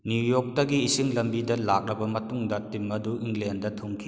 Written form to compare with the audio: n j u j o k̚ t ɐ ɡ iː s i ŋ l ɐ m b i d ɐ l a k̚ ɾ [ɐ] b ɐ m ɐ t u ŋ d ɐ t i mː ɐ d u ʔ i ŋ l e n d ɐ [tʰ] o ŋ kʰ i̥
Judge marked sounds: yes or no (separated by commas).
yes, yes